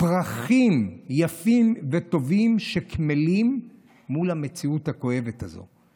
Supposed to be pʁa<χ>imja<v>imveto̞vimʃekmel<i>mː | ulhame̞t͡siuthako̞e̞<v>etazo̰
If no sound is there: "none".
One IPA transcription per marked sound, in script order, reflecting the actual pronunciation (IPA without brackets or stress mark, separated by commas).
χ, f, i, v